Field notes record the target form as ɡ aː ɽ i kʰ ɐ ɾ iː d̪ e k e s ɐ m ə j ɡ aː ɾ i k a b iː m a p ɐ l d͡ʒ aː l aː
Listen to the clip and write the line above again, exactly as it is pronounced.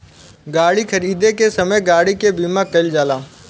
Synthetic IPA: ɡ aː ɽ i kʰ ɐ ɾ iː d̪ e k e s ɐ m ə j ɡ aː ɽ i k e b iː m a k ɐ l d͡ʒ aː l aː